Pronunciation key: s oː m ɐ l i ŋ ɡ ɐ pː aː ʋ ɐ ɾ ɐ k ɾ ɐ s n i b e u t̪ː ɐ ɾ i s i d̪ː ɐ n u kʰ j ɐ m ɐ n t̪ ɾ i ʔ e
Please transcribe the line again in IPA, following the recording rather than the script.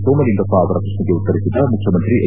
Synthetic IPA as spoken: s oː m ɐ l i ŋ ɡ ɐ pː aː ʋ ɐ ɾ ɐ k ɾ ɐ ʂ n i ɡ e u t̪ː ɐ ɾ i s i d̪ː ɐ m u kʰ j ɐ m ɐ n t̪ ɾ i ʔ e